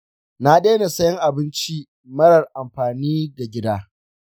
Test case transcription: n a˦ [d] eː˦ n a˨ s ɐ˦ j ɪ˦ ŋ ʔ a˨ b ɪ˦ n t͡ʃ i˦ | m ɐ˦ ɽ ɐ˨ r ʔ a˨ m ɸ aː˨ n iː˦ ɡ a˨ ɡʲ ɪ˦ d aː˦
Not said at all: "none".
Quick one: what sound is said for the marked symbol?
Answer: ɗ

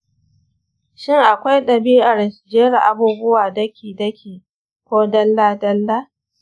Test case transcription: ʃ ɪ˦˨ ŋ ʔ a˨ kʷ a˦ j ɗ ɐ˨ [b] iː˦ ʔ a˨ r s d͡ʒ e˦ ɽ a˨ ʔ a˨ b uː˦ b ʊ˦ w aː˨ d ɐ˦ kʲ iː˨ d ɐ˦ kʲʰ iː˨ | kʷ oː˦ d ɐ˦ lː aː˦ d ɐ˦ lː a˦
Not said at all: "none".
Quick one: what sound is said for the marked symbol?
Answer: b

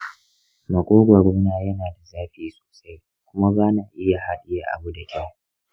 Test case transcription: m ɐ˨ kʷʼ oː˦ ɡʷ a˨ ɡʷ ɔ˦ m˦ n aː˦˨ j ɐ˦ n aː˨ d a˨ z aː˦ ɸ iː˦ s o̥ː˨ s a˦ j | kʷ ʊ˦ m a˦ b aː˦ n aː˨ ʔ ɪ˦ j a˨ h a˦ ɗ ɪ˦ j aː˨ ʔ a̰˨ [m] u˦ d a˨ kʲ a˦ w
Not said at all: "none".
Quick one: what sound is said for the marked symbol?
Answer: b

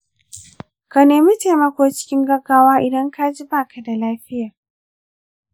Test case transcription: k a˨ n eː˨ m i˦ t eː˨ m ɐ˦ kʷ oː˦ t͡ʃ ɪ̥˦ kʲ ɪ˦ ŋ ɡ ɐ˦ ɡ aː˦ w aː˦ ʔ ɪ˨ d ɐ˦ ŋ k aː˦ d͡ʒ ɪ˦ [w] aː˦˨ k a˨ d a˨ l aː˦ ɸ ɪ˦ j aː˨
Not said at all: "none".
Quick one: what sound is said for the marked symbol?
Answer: b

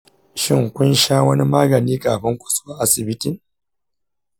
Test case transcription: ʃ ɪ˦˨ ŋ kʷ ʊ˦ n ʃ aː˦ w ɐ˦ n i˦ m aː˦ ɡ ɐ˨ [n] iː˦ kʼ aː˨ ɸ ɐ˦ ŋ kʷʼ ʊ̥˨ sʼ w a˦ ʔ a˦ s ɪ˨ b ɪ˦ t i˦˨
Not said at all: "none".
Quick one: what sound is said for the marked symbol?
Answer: n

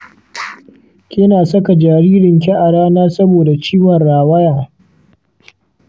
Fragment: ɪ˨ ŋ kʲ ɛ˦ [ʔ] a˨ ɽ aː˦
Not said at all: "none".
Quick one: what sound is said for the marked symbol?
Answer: ʔ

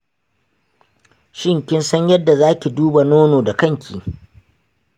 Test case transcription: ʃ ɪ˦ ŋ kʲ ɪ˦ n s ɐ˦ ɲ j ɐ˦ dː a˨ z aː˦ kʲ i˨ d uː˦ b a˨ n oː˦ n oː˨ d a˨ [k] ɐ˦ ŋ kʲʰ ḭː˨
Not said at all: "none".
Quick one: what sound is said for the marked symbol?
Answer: k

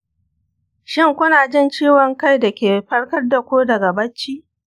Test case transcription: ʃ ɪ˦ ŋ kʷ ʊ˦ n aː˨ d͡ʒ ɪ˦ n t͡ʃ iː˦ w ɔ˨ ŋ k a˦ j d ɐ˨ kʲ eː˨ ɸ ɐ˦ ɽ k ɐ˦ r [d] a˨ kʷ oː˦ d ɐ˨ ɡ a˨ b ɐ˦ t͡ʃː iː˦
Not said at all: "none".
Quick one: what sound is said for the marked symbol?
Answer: d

